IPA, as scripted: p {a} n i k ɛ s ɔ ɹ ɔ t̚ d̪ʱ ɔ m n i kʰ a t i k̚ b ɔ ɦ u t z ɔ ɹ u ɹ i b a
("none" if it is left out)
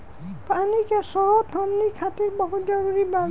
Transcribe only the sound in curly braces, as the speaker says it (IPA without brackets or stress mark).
a